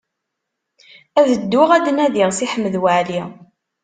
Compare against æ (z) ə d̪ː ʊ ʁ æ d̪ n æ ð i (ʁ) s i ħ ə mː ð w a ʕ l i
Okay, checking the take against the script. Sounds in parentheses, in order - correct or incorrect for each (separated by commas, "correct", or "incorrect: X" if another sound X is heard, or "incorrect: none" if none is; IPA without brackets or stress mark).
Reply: incorrect: ð, correct